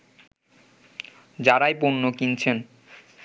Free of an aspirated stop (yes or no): no